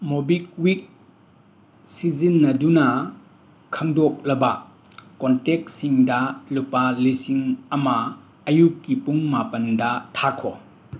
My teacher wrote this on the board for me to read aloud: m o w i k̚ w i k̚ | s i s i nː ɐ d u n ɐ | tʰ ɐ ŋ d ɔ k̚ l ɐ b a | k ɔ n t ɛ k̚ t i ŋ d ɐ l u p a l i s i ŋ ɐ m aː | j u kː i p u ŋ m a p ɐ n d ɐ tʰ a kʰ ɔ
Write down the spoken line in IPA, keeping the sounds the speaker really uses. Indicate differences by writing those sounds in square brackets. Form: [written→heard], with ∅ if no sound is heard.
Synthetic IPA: m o [w→b] i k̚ w i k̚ | s i [s→z] i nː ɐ d u n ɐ | [tʰ→kʰ] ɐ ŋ d ɔ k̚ l ɐ b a | k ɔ n t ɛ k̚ [t→s] i ŋ d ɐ l u p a l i s i ŋ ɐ m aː | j u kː i p u ŋ m a p ɐ n d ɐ tʰ a kʰ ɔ